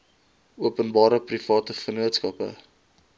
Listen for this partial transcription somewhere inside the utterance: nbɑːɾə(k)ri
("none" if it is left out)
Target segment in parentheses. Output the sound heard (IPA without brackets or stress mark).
p